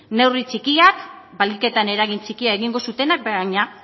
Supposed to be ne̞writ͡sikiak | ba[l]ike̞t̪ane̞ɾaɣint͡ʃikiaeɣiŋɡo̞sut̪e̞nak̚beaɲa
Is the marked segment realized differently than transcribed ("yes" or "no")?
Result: no